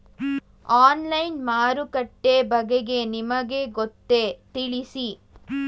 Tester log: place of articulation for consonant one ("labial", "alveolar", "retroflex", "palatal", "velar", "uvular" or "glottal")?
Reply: alveolar